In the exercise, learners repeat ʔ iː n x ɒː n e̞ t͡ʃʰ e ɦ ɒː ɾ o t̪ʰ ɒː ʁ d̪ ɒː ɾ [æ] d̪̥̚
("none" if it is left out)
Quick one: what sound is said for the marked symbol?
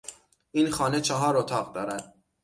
æ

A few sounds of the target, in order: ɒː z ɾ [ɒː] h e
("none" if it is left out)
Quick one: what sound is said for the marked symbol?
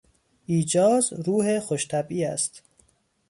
uː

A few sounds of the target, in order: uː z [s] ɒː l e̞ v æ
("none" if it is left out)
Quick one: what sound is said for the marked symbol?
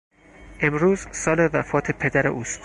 s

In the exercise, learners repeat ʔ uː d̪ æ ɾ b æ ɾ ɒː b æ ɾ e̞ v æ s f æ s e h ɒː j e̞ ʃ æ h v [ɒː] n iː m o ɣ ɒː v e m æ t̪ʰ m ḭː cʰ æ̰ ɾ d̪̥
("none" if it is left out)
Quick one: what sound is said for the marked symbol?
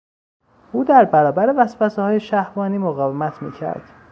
ɒː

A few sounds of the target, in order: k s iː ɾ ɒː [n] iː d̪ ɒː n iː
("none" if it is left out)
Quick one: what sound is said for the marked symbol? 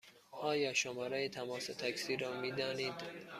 m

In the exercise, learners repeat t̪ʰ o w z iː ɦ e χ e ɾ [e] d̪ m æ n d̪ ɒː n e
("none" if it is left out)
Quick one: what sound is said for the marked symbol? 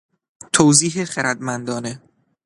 æ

